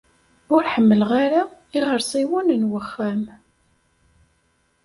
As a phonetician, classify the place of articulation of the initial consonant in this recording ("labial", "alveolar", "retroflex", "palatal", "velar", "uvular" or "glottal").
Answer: alveolar